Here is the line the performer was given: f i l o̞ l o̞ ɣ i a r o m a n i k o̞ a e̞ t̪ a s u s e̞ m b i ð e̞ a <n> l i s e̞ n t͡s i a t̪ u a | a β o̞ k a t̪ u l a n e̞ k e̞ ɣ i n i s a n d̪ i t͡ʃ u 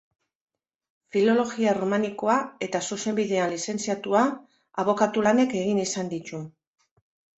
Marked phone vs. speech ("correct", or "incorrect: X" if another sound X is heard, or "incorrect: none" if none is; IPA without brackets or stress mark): correct